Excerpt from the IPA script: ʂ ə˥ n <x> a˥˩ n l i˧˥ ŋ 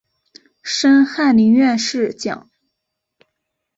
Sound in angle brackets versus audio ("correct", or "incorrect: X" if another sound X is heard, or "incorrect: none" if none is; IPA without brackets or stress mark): correct